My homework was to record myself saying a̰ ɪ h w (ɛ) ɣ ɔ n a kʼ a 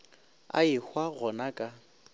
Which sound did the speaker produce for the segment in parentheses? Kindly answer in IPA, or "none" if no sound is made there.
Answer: a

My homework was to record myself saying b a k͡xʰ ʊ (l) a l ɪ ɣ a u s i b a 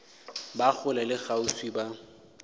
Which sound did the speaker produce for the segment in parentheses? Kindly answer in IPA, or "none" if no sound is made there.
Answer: l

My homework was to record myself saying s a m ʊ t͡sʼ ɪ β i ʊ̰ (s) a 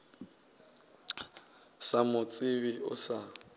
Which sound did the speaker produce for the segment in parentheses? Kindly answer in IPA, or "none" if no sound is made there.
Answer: s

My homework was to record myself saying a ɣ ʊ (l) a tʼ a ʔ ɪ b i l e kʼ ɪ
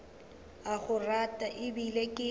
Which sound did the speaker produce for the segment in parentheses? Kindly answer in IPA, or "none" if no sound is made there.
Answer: r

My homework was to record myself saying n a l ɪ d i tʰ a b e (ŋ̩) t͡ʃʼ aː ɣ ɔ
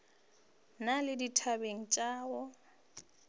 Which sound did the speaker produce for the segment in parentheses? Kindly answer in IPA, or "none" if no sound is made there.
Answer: ŋ̩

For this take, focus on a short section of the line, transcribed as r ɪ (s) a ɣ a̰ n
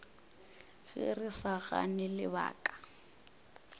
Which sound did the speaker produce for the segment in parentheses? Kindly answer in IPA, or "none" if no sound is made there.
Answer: s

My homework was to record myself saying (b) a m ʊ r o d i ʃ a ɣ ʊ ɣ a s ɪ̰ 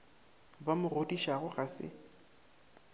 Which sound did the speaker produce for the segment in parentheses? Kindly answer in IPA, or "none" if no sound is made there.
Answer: b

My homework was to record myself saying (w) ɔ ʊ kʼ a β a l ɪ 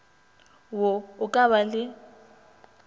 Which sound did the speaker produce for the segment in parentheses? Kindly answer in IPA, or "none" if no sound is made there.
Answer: w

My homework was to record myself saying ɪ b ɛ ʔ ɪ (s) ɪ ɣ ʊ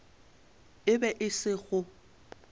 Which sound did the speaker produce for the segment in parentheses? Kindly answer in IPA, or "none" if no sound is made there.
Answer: s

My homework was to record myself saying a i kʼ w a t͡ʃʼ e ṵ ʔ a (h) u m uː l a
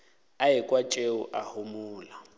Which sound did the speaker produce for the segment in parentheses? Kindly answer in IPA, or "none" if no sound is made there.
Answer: h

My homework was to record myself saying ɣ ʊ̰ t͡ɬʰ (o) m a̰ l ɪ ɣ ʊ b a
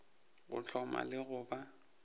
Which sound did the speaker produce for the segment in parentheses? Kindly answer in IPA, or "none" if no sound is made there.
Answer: ɔ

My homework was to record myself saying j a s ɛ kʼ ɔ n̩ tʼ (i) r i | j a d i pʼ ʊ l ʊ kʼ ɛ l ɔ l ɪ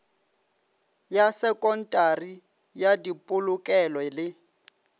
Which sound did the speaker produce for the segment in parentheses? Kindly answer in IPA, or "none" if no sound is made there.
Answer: a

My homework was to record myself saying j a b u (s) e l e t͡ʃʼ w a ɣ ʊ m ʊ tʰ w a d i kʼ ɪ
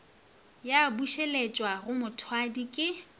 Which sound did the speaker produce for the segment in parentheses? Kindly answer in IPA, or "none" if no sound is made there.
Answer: ʃ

